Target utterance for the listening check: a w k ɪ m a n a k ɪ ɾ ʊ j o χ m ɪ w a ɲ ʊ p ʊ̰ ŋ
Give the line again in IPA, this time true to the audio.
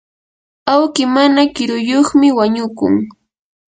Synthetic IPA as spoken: a w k ɪ m a n a k ɪ ɾ ʊ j o χ m ɪ w a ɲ ʊ k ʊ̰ ŋ